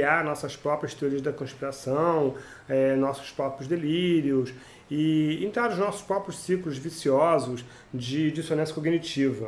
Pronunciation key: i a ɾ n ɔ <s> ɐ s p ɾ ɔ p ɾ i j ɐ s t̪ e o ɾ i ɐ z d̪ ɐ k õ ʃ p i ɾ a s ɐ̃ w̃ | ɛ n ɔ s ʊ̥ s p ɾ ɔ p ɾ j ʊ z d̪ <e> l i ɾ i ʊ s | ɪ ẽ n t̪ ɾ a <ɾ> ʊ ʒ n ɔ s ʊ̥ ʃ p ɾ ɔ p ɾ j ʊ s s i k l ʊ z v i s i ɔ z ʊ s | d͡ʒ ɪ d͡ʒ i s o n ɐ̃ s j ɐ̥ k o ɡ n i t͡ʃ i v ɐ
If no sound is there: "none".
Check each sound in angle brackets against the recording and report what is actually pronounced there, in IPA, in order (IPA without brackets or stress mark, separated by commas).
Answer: s, e, ɾ